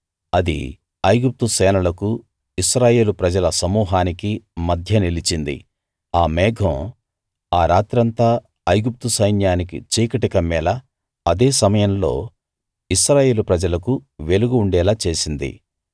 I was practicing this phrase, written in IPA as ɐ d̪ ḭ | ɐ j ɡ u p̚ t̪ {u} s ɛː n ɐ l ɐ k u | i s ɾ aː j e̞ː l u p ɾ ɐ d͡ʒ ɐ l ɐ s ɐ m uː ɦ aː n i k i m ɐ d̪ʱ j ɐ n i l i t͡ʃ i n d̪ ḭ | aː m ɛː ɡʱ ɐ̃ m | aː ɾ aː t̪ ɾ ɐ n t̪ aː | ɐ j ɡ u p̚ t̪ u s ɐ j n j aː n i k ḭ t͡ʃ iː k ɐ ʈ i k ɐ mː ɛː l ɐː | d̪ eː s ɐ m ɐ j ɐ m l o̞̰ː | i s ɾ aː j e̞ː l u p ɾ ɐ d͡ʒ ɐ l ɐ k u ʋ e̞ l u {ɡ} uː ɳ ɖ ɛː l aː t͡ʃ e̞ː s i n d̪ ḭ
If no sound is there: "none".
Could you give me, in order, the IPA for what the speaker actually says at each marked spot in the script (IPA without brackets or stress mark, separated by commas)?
u, ɡ